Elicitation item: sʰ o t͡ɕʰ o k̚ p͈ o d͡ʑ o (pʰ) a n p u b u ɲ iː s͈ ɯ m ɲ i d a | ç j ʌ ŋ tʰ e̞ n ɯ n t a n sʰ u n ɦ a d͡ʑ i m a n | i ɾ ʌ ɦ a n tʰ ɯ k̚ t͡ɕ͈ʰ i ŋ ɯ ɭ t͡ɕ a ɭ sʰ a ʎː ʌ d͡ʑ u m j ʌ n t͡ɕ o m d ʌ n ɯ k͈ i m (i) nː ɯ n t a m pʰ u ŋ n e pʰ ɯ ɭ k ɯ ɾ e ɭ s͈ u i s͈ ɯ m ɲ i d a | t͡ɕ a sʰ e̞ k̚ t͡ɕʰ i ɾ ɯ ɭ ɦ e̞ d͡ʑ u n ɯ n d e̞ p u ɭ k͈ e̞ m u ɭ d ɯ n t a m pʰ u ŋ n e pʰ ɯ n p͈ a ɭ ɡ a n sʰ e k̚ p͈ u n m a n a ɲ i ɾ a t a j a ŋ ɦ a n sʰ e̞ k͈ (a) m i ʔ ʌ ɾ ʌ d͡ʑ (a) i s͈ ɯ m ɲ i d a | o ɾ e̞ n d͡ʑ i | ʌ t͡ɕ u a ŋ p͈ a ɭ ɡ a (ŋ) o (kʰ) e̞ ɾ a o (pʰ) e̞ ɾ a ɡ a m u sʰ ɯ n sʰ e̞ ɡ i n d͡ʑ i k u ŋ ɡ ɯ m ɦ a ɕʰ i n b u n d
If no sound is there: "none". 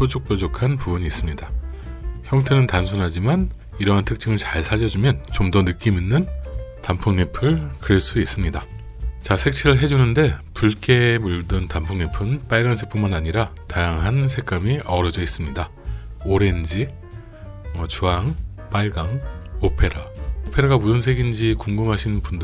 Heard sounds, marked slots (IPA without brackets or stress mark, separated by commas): kʰ, i, a, ʌ, ŋ, pʰ, pʰ